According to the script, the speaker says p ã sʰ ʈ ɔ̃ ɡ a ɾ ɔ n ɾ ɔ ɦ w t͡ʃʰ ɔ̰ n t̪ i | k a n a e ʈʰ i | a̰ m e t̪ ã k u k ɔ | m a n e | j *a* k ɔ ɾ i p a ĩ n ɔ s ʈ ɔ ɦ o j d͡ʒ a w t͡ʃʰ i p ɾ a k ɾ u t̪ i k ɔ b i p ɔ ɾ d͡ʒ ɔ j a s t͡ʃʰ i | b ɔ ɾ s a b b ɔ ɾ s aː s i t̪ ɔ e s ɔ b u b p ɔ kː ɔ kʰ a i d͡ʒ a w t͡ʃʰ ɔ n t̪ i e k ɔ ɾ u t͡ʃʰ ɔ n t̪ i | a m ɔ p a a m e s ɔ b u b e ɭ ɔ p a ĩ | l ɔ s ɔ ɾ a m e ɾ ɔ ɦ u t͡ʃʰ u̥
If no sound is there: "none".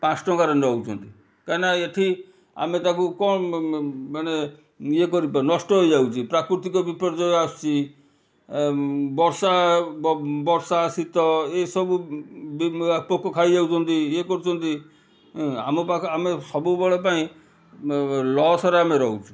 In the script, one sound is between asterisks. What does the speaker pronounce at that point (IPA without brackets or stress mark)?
e